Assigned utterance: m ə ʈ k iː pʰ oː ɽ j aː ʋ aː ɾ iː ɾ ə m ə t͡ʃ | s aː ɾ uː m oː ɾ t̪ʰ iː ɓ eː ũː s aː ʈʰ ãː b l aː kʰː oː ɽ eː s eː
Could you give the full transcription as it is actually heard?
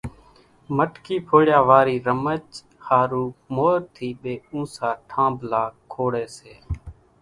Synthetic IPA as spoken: m ə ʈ k iː pʰ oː ɽ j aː ʋ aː ɾ iː ɾ ə m ə t͡ʃ | h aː ɾ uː m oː ɾ t̪ʰ iː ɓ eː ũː s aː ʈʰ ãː b l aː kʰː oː ɽ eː s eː